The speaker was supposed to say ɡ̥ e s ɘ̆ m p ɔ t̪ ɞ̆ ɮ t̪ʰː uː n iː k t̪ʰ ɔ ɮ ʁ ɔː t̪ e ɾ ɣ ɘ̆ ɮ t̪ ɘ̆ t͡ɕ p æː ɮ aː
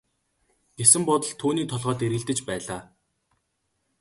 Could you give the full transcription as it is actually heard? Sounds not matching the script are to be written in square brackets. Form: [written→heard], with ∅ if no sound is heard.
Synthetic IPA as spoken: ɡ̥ e s ɘ̆ m p ɔ t̪ ɞ̆ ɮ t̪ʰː uː n iː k t̪ʰ ɔ ɮ ʁ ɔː t̪ e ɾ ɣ ɘ̆ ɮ t̪ ɘ̆ t͡ɕ p æː ɮ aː